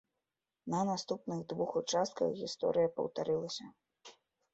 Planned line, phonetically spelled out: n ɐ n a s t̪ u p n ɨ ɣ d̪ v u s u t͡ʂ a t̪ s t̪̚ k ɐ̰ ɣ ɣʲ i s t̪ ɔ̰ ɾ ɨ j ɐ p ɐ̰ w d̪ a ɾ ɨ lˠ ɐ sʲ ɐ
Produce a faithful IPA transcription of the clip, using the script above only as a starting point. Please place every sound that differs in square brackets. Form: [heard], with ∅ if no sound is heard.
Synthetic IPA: n ɐ n a s t̪ u p n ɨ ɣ d̪ v u [x] u t͡ʂ a [∅] s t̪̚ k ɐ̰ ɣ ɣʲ i s t̪ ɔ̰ ɾ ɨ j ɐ p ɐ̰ w [t̪] a ɾ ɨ lˠ ɐ sʲ ɐ